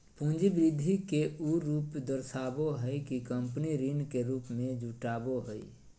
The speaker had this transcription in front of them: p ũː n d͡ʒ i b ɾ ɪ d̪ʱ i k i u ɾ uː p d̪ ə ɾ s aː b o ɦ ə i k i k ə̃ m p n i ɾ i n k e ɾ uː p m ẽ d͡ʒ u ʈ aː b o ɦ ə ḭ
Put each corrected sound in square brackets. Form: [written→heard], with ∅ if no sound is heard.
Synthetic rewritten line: p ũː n d͡ʒ i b ɾ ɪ d̪ʱ i k [i→e] u ɾ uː p d̪ ə ɾ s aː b o ɦ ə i k i k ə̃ m p n i ɾ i n k e ɾ uː p m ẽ d͡ʒ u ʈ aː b o ɦ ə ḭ